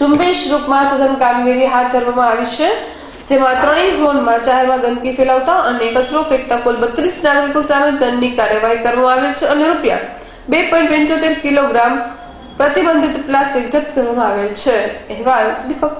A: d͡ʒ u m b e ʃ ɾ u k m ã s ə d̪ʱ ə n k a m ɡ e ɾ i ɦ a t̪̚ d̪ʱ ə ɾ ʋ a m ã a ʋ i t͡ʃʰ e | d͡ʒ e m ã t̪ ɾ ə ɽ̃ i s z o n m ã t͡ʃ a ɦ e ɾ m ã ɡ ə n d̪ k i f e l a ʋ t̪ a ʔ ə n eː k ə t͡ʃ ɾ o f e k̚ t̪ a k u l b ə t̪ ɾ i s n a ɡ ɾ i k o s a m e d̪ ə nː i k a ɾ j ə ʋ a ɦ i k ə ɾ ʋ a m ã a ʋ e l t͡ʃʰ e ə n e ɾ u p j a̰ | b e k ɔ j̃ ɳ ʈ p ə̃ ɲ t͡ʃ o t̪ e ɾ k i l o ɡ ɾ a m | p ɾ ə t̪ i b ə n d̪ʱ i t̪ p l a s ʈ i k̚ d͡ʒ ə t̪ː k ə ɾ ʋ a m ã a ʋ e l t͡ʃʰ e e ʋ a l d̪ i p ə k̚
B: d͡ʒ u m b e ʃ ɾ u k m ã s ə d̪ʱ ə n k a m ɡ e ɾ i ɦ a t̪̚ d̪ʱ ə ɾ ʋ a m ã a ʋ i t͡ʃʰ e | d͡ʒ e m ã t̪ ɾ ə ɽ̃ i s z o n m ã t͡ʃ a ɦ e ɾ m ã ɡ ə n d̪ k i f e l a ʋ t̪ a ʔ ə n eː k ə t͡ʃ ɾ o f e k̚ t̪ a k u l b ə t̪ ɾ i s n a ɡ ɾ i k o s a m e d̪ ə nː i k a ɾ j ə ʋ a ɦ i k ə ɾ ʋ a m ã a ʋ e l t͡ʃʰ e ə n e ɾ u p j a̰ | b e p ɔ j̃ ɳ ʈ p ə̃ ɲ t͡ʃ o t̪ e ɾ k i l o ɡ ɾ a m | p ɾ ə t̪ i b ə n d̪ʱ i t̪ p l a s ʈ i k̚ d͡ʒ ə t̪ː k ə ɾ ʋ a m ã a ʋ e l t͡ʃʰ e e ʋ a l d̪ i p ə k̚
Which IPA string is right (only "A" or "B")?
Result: B